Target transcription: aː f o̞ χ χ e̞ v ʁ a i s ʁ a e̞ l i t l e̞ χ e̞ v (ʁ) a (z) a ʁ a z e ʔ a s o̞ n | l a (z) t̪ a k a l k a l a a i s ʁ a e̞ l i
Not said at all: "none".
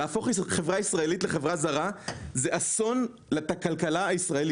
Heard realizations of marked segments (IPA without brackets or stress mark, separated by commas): ʁ, z, none